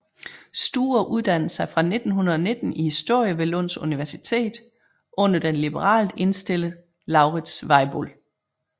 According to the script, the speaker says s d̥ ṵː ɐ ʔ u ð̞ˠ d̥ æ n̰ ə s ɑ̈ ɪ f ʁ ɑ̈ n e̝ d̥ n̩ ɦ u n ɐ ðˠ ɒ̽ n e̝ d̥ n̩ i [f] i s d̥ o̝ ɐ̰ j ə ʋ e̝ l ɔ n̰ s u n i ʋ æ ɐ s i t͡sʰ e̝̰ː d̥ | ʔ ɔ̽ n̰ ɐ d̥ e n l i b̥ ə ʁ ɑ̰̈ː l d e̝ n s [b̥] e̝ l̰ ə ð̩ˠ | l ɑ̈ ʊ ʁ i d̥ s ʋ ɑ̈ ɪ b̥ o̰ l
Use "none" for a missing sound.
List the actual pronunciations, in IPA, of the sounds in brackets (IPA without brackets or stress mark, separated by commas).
h, d̥